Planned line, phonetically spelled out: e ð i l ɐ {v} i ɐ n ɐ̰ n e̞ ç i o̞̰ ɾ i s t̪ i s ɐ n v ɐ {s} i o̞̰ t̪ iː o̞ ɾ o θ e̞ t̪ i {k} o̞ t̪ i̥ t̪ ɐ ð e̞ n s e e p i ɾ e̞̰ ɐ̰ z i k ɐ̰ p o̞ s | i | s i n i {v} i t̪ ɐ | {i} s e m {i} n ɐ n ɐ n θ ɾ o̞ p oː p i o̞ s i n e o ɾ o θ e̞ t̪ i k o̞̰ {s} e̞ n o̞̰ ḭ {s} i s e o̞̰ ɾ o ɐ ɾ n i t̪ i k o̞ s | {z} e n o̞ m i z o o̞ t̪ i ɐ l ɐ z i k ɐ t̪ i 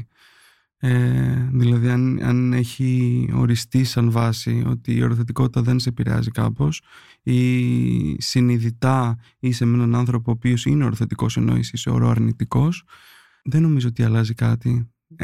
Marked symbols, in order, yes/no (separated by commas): no, yes, yes, no, yes, no, yes, yes, no